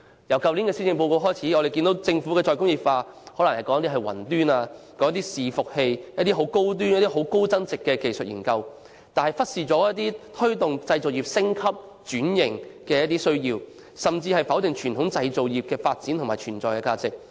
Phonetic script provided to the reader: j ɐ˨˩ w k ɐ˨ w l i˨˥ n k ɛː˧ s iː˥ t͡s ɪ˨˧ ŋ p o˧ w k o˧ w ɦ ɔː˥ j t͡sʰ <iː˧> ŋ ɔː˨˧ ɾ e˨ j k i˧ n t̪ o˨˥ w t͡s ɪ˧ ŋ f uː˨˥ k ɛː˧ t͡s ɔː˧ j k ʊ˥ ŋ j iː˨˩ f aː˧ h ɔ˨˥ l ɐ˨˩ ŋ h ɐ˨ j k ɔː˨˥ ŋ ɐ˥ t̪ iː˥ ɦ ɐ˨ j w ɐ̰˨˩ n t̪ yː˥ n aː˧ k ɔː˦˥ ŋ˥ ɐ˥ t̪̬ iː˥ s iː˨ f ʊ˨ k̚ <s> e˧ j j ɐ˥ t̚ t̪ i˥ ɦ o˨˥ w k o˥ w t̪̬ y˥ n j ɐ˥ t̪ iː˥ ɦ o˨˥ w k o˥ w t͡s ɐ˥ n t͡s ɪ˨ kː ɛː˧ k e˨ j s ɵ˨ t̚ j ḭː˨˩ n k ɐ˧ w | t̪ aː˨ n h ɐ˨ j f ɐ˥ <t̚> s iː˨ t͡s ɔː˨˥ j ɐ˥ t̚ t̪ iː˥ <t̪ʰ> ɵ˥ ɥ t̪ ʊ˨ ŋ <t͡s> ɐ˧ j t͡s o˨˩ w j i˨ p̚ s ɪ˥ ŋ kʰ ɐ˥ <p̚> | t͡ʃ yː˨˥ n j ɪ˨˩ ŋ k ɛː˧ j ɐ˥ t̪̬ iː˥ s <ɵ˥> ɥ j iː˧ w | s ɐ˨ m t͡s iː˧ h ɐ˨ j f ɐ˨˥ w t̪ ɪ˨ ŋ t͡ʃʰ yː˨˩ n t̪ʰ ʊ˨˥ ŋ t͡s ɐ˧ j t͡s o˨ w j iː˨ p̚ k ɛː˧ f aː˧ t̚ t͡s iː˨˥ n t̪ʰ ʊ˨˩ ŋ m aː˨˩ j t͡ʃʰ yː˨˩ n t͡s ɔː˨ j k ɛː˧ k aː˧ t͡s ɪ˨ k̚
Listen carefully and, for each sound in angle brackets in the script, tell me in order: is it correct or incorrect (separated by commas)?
incorrect, incorrect, correct, correct, correct, correct, correct